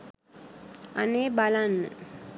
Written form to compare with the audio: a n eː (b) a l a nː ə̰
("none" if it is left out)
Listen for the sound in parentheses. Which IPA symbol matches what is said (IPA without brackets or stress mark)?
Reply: b